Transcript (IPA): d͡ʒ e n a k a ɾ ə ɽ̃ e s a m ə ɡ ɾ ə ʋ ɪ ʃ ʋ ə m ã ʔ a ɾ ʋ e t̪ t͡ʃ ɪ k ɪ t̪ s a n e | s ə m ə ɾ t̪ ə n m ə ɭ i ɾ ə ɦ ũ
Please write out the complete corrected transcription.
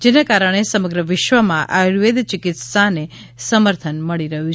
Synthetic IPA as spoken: d͡ʒ e n a k a ɾ ə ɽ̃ e s ə m ə ɡ ɾ ə ʋ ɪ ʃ ʋ ə m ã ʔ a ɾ ʋ e d̪ t͡ʃ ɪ k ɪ t̪ s a n e | s ə m ə ɾ t̪ʰ ə n m ə ɭ i ɾ ə ɦ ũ